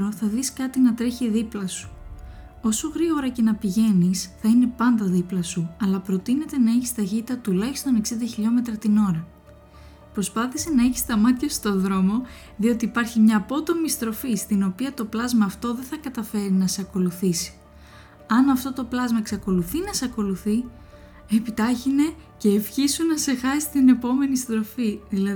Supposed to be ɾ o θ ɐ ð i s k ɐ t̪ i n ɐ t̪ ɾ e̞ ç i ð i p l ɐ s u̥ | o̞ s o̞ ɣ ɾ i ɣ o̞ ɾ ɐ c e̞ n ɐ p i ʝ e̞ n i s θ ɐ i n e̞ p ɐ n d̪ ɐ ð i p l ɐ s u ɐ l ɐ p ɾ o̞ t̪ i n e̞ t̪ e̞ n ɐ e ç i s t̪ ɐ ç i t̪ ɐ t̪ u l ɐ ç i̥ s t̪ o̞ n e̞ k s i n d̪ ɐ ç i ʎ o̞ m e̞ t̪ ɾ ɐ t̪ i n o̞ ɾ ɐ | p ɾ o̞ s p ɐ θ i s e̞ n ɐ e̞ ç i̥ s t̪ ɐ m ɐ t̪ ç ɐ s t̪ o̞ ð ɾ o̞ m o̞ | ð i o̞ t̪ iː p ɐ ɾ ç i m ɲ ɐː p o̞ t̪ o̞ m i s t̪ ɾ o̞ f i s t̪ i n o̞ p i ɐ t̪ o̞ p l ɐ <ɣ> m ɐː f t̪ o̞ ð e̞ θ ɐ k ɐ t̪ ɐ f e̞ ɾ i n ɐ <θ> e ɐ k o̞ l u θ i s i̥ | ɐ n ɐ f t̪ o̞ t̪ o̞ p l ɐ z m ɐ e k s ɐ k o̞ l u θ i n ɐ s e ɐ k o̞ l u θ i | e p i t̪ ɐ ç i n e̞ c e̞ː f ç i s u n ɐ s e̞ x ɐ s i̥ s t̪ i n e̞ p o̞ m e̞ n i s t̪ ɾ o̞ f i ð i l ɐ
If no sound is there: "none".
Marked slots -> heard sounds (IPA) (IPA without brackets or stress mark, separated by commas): z, s